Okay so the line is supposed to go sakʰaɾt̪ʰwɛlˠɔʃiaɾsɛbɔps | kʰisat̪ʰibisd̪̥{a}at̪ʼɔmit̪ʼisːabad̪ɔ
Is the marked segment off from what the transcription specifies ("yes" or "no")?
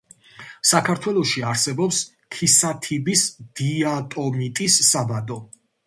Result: yes